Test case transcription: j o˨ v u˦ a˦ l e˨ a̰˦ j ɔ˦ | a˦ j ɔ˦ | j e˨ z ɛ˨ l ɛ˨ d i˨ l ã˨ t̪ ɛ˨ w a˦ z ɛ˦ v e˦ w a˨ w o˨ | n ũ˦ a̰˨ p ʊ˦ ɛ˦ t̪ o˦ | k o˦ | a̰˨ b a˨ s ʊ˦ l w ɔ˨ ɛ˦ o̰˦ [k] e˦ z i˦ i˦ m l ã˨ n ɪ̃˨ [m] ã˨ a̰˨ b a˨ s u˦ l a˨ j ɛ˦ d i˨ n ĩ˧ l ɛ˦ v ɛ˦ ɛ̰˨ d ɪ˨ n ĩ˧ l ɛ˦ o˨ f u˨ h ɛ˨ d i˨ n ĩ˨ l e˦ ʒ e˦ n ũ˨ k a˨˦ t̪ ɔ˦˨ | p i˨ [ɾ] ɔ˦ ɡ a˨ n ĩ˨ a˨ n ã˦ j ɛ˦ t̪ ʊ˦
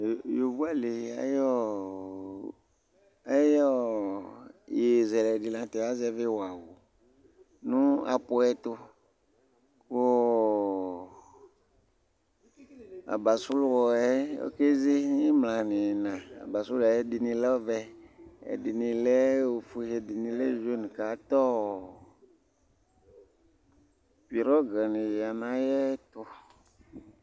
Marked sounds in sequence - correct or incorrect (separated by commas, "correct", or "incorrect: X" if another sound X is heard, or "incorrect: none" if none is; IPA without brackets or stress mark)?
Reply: correct, incorrect: n, correct